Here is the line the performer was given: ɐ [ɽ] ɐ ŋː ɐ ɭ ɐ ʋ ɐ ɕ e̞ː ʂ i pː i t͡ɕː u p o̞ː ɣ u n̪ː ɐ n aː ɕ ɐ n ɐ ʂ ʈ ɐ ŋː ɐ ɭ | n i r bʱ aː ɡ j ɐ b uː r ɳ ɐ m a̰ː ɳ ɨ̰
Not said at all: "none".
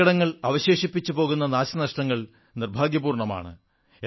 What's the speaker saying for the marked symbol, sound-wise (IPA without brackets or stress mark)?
ɽ